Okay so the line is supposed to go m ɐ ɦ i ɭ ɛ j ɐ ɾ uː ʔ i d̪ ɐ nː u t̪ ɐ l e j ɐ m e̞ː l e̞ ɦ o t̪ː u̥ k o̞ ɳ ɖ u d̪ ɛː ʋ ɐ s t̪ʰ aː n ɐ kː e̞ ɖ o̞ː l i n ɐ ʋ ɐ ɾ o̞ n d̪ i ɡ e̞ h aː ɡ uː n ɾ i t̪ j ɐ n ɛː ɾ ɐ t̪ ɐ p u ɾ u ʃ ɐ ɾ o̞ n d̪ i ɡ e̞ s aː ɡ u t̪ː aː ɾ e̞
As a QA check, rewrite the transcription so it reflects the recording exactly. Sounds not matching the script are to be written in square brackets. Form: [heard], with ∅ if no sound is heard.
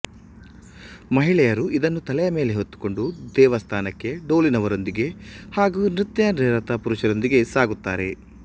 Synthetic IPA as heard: m ɐ ɦ i ɭ ɛ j ɐ ɾ [u] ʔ i d̪ ɐ nː u t̪ ɐ l [ɛ] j ɐ m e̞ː l e̞ ɦ o t̪ː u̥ k o̞ ɳ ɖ u d̪ ɛː ʋ ɐ s t̪ʰ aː n ɐ kː e̞ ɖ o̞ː l i n ɐ ʋ ɐ ɾ o̞ n d̪ i ɡ e̞ h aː ɡ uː n ɾ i t̪ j ɐ n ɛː ɾ ɐ t̪ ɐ p u ɾ u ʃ ɐ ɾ o̞ n d̪ i ɡ e̞ s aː ɡ u t̪ː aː ɾ e̞

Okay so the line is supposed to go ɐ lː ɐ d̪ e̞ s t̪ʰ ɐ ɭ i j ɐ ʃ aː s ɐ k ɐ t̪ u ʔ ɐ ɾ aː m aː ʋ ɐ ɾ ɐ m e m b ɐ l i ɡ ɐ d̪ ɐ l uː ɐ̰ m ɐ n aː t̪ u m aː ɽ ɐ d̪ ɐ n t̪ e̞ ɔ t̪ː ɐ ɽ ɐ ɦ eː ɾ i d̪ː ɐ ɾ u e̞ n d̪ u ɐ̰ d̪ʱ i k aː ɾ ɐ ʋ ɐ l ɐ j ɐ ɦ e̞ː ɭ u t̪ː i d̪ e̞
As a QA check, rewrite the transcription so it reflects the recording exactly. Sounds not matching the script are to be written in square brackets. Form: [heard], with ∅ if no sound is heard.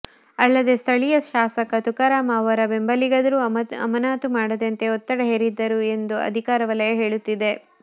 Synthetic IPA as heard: ɐ lː ɐ d̪ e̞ s t̪ʰ ɐ ɭ i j ɐ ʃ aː s ɐ k ɐ t̪ u [k] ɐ ɾ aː m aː ʋ ɐ ɾ ɐ [b] e m b ɐ l i ɡ ɐ d̪ ɐ [ɾ] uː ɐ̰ m ɐ n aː t̪ u m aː ɽ ɐ d̪ ɐ n t̪ e̞ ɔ t̪ː ɐ ɽ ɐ ɦ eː ɾ i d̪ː ɐ ɾ u e̞ n d̪ u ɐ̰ d̪ʱ i k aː ɾ ɐ ʋ ɐ l ɐ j ɐ ɦ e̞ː ɭ u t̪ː i d̪ e̞

